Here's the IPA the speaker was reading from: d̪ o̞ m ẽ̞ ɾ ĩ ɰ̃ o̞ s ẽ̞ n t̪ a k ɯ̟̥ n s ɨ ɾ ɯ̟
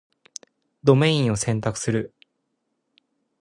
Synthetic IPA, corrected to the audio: d̪ o̞ m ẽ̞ ĩ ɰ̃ o̞ s ẽ̞ n t̪ a k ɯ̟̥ s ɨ ɾ ɯ̟